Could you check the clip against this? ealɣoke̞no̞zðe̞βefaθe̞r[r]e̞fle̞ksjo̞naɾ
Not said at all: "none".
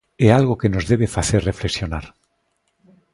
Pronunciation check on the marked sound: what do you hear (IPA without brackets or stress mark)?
r